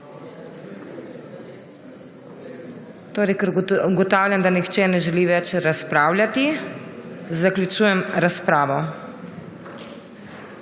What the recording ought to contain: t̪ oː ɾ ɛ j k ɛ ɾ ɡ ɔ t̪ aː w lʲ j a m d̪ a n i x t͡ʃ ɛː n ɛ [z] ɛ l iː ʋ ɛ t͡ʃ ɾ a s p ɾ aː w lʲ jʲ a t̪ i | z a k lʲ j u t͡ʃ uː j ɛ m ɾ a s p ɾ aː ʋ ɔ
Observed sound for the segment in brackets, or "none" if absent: ʒ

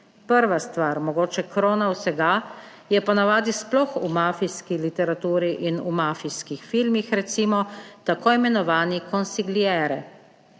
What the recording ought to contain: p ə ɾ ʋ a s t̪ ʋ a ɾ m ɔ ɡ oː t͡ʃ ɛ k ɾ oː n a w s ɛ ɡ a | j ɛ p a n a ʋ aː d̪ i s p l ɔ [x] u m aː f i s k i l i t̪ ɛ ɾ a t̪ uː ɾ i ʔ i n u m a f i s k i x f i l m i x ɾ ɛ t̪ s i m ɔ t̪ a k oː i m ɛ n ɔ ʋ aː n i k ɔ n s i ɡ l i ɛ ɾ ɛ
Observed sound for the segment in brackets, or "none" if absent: x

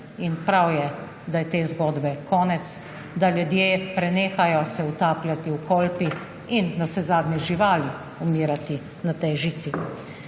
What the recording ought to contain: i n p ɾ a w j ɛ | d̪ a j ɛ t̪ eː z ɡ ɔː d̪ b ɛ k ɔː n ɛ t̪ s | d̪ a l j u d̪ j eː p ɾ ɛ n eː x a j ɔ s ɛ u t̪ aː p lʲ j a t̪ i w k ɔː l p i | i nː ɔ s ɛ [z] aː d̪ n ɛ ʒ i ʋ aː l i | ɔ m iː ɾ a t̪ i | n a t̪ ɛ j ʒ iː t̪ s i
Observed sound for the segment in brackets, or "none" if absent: z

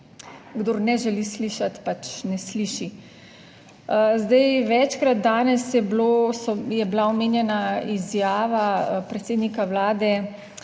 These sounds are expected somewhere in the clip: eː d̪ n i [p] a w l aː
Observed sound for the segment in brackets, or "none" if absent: k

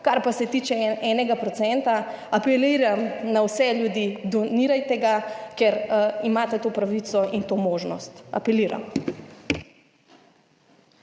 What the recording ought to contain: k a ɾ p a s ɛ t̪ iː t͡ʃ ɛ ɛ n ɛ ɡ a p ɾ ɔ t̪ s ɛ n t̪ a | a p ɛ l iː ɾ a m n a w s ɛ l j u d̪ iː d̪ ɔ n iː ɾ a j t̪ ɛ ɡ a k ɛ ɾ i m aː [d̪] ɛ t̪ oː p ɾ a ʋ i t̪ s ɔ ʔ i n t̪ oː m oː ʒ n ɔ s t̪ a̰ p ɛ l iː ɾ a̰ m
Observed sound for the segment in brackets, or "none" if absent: t̪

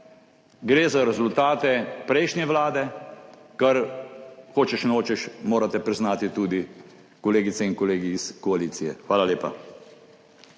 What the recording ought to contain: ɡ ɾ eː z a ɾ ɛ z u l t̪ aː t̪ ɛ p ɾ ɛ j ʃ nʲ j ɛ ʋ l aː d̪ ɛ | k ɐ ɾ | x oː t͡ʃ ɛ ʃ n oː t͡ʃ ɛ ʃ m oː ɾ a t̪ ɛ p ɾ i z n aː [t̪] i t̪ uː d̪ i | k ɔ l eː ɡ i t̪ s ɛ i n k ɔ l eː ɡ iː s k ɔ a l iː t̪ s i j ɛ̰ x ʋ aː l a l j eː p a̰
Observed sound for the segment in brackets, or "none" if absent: t̪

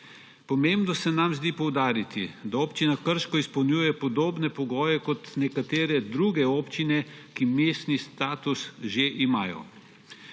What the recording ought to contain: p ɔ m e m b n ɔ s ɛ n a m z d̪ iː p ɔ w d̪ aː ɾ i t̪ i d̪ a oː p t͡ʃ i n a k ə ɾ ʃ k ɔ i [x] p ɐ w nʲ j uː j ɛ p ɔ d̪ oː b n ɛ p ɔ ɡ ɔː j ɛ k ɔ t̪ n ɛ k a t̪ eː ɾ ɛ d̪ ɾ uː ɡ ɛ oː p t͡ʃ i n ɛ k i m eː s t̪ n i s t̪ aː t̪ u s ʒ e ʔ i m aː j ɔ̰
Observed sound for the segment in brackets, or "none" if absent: s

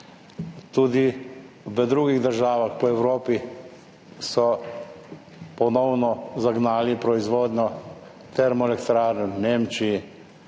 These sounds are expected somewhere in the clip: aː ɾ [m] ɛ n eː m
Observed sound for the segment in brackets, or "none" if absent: n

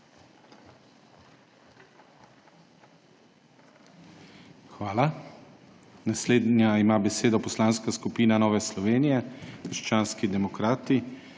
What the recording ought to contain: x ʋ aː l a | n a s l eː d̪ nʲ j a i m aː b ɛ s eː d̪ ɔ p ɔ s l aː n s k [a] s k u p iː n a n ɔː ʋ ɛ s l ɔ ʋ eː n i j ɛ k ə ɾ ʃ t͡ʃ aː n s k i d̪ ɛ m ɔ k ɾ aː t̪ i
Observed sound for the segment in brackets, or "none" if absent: a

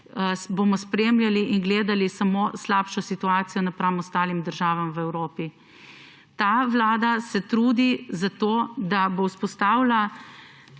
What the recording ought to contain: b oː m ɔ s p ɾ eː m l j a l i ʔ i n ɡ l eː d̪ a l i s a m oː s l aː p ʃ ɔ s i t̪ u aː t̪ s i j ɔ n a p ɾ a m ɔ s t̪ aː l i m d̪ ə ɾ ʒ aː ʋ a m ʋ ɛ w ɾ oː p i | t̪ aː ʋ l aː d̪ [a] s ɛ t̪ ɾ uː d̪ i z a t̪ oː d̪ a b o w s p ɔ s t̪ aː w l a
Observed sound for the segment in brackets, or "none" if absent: a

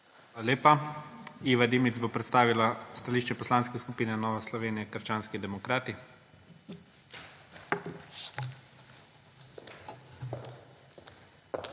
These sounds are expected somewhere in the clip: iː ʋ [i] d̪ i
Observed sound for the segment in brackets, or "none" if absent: a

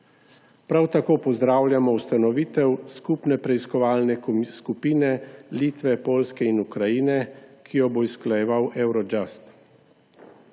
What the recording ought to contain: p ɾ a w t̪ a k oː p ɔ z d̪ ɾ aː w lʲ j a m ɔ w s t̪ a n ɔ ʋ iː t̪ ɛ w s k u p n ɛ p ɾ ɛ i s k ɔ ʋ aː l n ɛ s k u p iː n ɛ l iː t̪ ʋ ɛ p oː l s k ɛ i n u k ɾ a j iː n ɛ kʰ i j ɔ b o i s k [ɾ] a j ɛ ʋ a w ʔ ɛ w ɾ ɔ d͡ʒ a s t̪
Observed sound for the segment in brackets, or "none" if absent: l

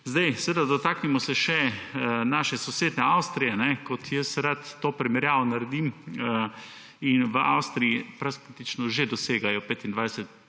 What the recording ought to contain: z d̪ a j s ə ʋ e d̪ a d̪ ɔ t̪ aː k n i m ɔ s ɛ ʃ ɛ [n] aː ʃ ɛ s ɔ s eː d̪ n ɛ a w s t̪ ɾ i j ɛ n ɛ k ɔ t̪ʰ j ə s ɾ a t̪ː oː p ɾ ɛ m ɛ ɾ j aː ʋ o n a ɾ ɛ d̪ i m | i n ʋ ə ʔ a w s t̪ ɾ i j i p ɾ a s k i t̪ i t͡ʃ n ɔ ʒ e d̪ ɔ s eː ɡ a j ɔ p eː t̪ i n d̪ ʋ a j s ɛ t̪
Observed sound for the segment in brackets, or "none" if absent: n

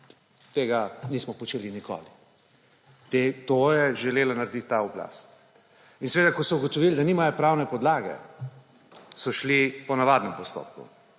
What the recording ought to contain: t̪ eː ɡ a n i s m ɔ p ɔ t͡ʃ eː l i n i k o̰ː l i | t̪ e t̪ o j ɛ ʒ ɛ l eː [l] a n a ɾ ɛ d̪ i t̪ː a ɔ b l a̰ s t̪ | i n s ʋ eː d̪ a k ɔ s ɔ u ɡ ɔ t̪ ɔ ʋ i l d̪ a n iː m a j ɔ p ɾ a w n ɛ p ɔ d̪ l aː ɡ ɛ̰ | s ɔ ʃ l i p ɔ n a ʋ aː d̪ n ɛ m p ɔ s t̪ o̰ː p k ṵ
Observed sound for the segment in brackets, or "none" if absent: l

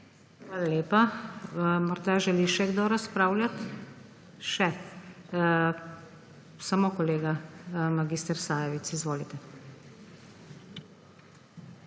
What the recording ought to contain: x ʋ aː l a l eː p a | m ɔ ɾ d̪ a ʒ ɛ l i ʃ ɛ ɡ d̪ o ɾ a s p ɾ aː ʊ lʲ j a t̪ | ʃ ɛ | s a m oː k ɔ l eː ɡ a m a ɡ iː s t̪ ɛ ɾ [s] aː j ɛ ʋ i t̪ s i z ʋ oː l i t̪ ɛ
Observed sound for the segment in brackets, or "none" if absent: s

